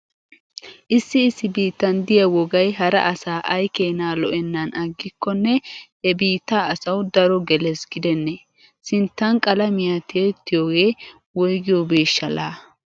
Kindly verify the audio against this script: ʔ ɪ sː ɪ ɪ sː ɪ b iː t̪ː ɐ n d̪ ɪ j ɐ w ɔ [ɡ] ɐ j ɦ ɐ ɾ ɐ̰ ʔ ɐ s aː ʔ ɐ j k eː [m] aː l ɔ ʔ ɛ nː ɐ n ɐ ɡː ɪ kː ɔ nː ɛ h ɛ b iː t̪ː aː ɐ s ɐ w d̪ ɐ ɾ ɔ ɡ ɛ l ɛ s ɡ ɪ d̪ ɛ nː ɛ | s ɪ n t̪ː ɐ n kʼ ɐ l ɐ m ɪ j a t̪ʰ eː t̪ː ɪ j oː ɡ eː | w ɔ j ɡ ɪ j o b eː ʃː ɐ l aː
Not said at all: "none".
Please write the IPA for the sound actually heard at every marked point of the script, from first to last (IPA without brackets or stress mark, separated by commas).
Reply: ɡ, n